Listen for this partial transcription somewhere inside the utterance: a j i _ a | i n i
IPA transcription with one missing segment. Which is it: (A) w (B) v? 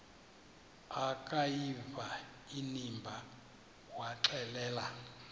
B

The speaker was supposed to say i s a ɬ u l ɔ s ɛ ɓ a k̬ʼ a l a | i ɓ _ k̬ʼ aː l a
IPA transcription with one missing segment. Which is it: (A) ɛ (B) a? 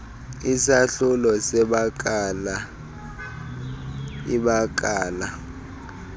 B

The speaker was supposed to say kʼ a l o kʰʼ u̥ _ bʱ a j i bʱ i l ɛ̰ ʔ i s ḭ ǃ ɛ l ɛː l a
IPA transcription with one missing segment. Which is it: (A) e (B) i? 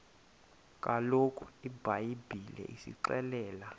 B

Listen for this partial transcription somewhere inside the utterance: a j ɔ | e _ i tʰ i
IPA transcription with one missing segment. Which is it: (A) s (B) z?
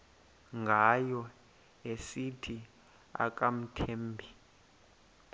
A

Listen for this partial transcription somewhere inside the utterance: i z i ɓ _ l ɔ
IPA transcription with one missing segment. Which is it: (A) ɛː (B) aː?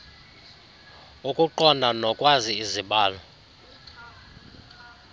B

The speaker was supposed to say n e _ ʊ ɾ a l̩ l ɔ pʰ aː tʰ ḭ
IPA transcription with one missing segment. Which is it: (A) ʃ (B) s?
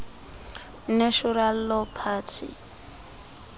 A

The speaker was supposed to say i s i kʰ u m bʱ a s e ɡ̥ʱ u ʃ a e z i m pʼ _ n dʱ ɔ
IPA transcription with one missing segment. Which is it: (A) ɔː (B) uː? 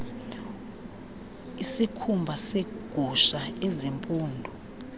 B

